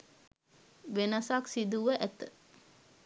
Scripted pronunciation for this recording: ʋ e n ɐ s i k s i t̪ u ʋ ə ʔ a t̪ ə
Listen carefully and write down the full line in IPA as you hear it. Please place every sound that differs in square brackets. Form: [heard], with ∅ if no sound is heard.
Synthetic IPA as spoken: ʋ e n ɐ s [a] k s i [d̪] u ʋ ə ʔ [æ] t̪ ə